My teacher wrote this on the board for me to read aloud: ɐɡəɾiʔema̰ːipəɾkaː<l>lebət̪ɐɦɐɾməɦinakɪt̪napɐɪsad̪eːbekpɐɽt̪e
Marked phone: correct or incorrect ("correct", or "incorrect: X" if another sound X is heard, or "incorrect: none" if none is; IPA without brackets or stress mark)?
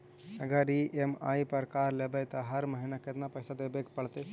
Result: incorrect: ɾ